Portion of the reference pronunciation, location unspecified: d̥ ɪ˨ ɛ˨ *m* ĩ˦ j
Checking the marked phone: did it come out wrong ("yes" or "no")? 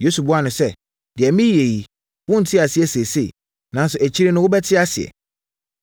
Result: no